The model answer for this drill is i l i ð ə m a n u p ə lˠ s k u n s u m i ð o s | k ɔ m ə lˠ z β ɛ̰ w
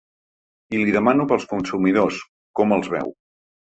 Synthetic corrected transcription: i l i ð ə m a n u p ə lˠ s k u n s u m i ð o s | k ɔ m ə lˠ z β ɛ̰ w